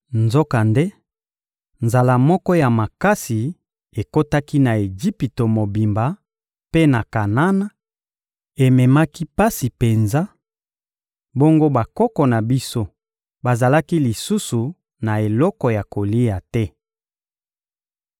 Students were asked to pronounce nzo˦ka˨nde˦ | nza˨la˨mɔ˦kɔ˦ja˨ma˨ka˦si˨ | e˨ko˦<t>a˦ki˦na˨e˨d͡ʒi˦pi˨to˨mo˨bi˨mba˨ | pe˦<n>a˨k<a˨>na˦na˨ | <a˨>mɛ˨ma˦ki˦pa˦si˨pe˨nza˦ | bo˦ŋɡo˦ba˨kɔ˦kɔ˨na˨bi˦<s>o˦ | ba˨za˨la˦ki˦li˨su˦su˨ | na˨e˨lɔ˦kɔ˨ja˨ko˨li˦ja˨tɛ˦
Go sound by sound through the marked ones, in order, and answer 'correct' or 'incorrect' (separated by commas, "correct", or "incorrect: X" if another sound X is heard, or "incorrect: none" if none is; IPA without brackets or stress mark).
correct, correct, correct, incorrect: e˨, correct